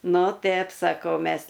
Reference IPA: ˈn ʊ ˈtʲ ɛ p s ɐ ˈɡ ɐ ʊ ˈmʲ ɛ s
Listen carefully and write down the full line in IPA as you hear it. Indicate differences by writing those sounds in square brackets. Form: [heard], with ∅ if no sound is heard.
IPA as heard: ˈn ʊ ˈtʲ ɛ p s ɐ [ˈk] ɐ ʊ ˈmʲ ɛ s